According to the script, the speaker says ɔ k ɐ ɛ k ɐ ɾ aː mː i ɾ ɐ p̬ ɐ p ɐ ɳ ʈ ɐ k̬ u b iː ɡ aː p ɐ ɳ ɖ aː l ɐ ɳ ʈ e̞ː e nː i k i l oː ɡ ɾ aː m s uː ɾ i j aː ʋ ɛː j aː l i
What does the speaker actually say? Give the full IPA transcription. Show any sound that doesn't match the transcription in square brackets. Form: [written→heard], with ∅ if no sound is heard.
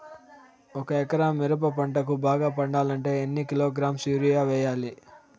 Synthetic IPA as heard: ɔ k ɐ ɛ k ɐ ɾ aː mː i ɾ ɐ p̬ ɐ p ɐ ɳ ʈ ɐ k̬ u b [iː→aː] ɡ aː p ɐ ɳ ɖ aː l ɐ ɳ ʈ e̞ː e nː i k i l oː ɡ ɾ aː m s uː ɾ i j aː ʋ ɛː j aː l i